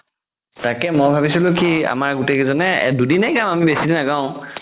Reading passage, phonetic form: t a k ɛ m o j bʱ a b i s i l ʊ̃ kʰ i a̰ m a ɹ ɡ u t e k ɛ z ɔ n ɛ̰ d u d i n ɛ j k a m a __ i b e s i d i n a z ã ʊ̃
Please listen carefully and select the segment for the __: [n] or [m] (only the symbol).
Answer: m